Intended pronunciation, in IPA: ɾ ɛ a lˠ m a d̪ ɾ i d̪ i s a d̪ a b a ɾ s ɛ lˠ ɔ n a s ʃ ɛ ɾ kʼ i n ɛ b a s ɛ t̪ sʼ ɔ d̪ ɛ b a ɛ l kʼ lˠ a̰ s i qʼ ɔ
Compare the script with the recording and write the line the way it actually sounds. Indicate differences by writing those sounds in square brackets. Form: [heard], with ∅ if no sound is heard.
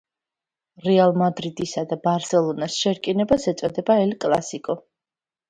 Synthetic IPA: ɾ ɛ a lˠ m a d̪ ɾ i d̪ i s a d̪ a b a ɾ s ɛ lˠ ɔ n a s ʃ ɛ ɾ kʼ i n ɛ b a s ɛ t̪ sʼ ɔ d̪ ɛ b a ɛ l kʼ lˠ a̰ s i [kʼ] ɔ